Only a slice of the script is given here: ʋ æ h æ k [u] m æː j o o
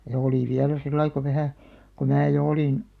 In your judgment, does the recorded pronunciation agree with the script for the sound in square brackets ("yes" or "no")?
no